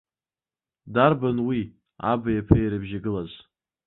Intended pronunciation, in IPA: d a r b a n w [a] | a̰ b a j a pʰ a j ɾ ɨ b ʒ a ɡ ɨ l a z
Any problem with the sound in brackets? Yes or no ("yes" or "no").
yes